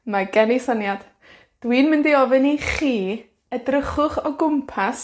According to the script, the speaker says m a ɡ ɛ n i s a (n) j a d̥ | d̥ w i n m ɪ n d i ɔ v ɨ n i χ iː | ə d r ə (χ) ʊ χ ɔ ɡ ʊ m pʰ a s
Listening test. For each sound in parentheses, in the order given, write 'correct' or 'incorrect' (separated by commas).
correct, correct